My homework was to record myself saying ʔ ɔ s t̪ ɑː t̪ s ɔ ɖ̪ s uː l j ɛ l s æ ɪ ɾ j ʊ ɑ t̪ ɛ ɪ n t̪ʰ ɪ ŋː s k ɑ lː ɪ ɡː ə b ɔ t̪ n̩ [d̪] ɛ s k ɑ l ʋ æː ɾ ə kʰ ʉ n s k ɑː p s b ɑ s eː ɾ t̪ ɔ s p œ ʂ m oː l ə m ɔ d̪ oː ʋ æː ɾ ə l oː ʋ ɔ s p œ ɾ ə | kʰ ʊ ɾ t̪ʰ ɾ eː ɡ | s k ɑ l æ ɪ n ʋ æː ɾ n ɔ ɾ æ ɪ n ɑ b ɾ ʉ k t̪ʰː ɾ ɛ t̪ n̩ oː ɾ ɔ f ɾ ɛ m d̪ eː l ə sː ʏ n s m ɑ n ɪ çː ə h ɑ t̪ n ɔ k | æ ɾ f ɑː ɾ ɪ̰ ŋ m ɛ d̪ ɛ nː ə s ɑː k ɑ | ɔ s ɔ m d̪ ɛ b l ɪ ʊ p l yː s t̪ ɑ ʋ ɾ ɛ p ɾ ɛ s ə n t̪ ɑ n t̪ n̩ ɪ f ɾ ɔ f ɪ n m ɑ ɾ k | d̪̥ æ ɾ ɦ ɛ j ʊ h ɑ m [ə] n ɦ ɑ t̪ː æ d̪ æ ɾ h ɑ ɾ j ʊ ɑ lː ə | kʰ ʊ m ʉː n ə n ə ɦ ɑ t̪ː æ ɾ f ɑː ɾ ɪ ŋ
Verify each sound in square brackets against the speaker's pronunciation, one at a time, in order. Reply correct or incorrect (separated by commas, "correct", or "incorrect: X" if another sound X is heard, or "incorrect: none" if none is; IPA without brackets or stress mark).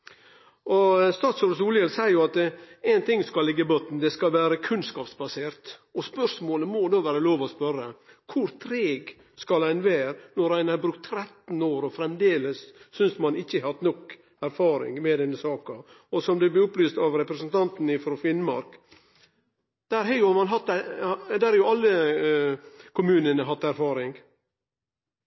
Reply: correct, incorrect: ɑ